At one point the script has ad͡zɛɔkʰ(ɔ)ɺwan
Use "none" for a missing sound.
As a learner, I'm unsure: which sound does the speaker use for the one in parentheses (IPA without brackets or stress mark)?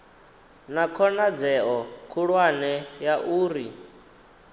u